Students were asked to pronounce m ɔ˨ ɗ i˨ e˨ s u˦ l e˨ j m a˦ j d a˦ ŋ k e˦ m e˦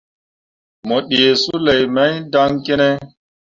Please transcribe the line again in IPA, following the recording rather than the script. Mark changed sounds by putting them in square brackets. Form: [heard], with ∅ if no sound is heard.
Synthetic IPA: m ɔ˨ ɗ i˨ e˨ s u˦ l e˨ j m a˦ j d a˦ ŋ k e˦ [n] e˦